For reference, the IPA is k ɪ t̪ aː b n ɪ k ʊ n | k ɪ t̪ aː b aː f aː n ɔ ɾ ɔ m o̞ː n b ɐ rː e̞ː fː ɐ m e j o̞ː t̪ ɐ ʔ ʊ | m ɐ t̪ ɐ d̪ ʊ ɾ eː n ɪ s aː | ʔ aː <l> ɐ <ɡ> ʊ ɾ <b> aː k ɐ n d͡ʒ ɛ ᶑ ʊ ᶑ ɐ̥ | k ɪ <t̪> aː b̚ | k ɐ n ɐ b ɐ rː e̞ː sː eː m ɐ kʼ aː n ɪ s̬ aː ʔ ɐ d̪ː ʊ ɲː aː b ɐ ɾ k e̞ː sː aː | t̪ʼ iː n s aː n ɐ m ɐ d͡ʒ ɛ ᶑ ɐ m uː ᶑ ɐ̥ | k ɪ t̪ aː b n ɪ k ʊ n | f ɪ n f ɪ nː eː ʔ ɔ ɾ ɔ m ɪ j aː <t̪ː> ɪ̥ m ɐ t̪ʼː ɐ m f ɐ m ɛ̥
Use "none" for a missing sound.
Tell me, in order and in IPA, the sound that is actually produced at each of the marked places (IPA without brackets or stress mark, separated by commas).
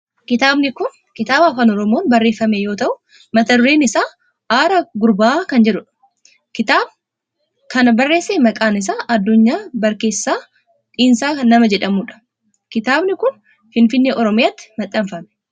ɾ, ɡ, b, t̪, t̪ː